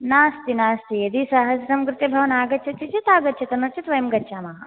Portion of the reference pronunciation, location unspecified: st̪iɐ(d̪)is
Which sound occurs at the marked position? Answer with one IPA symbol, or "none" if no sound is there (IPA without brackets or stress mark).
d̪